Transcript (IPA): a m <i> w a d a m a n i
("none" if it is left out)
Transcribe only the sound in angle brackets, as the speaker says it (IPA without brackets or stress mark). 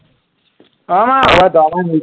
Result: a